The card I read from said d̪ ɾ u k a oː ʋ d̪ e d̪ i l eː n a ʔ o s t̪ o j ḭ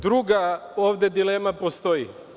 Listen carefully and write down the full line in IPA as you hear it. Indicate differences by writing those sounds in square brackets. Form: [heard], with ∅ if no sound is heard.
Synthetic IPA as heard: d̪ ɾ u [ɡ] a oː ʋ d̪ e d̪ i l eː [m] a [p] o s t̪ o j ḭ